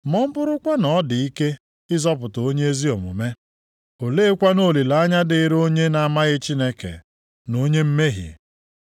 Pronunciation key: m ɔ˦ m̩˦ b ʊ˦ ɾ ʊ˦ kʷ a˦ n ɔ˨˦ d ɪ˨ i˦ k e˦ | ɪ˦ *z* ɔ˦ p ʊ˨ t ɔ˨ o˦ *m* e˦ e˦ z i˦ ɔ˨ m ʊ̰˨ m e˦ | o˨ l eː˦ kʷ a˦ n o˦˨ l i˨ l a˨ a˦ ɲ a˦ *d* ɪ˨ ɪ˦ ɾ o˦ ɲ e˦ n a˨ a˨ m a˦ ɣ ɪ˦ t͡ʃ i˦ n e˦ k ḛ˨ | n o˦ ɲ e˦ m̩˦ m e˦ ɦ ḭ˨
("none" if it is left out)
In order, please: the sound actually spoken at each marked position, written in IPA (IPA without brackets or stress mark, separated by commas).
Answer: z, ɲ, d